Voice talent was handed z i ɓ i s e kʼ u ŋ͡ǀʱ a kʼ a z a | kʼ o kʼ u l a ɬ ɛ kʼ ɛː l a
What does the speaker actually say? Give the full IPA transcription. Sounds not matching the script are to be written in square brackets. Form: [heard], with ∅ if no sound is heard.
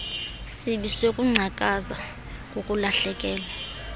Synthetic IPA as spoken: [s] i ɓ i s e kʼ u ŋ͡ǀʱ a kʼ a z a | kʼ o kʼ u l a ɬ ɛ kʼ ɛː l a